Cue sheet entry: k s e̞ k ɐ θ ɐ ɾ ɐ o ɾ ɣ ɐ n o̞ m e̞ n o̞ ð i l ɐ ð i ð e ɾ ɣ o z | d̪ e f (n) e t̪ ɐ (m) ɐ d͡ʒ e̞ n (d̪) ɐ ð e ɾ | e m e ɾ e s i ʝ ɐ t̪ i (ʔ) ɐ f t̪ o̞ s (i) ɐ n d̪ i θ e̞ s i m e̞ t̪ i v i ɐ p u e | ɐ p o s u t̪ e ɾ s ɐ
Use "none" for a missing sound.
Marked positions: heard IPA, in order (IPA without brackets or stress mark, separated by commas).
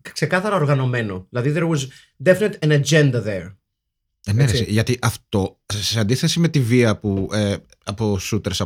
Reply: n, n, d̪, ʔ, e